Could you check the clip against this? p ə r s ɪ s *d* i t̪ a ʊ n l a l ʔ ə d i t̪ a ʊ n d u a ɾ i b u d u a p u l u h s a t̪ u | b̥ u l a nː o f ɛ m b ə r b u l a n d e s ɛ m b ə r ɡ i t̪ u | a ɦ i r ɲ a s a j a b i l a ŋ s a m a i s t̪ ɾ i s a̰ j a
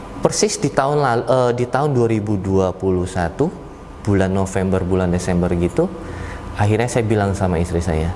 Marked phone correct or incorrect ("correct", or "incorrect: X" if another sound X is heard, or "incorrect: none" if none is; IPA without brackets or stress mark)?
correct